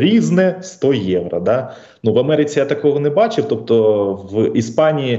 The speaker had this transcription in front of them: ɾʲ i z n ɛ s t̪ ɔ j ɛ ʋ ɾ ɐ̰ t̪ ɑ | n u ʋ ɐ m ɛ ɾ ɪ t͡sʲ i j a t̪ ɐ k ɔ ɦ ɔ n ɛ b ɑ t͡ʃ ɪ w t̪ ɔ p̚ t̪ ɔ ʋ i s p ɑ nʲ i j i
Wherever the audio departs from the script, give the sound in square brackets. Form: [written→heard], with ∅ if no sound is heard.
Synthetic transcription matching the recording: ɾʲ i z n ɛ s t̪ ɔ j ɛ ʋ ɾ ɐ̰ [t̪→d̪] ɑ | n u ʋ ɐ m ɛ ɾ ɪ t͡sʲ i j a t̪ ɐ k ɔ ɦ ɔ n ɛ b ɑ t͡ʃ ɪ w t̪ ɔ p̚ t̪ ɔ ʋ i s p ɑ nʲ i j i